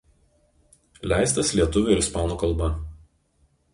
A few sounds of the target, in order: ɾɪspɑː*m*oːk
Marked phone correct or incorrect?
incorrect